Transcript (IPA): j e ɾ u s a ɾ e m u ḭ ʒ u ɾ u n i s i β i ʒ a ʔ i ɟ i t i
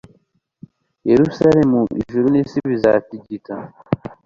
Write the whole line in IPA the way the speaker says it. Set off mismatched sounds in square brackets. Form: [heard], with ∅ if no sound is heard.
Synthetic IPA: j e ɾ u s a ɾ e m u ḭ ʒ u ɾ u n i s i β i [z] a [t] i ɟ i t [a]